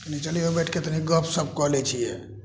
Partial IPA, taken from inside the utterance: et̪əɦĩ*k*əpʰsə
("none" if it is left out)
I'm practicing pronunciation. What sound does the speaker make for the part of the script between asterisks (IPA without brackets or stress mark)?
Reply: ɡ